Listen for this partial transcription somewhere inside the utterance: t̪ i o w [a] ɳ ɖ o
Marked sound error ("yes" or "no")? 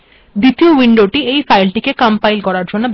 yes